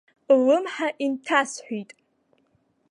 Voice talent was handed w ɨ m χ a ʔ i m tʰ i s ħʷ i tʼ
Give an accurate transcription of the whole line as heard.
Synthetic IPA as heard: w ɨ m ħ a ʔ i n tʰ a s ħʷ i tʼ